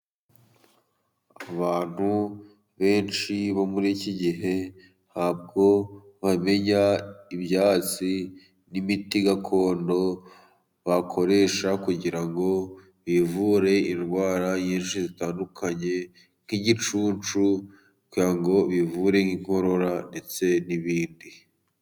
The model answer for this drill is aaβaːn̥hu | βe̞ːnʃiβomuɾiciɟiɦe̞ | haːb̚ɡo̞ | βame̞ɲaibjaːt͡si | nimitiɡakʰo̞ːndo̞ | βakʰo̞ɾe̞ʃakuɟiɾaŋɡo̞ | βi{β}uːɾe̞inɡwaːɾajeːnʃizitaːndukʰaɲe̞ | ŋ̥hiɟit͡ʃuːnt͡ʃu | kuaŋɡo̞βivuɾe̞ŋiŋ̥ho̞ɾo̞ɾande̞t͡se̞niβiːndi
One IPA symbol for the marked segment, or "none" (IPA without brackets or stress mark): v